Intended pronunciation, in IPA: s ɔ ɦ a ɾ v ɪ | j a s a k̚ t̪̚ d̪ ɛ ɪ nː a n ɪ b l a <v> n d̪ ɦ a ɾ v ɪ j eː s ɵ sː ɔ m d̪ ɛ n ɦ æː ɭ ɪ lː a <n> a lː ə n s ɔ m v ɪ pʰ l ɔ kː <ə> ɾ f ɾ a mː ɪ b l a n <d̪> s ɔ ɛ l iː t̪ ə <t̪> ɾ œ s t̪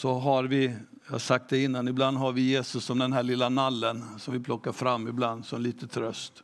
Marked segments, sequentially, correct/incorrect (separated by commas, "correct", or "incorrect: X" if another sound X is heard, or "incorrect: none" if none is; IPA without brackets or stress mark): incorrect: none, correct, incorrect: a, correct, incorrect: t̪ʰ